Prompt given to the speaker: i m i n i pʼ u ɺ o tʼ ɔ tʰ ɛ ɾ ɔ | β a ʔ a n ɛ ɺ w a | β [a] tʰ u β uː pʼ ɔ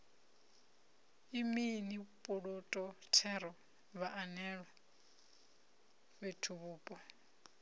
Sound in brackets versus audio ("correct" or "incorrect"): incorrect